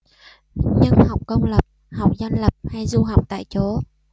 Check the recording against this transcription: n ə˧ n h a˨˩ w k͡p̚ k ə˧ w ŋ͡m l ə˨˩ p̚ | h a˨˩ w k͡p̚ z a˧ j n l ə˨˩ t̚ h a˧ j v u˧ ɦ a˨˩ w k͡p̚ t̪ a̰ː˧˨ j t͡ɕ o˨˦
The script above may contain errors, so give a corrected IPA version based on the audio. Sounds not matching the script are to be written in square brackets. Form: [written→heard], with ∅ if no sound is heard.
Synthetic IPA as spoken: [n→ɲ] ə˧ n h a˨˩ w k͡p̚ k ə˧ w ŋ͡m l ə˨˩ p̚ | h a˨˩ w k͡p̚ z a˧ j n l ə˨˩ [t̚→p̚] h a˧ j [v→z] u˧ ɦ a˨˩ w k͡p̚ t̪ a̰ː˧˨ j t͡ɕ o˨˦